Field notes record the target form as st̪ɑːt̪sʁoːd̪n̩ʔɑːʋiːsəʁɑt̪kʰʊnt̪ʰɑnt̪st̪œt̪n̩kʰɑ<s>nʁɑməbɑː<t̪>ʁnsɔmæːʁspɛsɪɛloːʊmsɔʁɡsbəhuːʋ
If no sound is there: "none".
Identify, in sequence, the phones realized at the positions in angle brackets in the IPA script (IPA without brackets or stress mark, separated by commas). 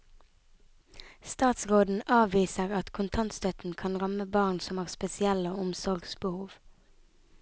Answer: none, none